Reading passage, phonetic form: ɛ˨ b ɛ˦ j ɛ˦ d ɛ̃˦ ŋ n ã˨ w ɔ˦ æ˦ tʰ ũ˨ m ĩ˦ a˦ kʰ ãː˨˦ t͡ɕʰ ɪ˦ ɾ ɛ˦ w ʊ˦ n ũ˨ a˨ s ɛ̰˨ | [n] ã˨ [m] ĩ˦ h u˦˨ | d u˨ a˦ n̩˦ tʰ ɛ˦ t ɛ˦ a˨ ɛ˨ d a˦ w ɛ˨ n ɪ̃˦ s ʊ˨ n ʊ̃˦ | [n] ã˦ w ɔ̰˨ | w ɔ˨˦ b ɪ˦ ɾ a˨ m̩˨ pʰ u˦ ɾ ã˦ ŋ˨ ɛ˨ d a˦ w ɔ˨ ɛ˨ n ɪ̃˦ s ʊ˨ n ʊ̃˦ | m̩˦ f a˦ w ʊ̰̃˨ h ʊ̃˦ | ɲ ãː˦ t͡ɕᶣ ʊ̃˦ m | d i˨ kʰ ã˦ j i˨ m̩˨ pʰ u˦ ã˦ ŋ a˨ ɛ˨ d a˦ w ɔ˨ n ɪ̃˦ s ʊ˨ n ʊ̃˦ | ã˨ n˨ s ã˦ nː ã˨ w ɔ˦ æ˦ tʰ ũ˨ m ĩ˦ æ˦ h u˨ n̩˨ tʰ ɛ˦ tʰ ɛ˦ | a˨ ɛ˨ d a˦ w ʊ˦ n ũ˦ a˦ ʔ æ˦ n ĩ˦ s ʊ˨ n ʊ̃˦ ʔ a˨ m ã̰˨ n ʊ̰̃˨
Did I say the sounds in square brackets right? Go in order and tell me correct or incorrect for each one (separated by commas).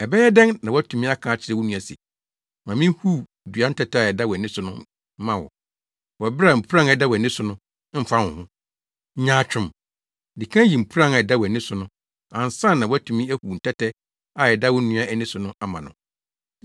incorrect, correct, incorrect